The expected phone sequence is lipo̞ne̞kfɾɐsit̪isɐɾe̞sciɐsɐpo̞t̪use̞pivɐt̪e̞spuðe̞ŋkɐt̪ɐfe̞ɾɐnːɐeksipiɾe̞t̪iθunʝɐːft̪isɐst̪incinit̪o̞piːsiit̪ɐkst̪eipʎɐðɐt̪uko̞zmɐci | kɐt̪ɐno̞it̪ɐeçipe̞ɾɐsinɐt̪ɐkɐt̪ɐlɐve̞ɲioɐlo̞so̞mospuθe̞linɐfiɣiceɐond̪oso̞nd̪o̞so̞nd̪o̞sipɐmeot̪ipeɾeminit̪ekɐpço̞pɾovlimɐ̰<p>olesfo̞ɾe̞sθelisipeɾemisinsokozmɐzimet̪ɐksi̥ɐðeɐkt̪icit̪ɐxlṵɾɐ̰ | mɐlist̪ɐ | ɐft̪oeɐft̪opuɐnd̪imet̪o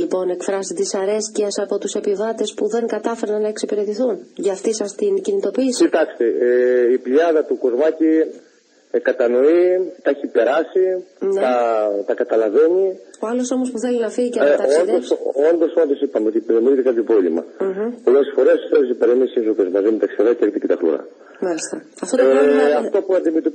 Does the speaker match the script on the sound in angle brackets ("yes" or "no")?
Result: yes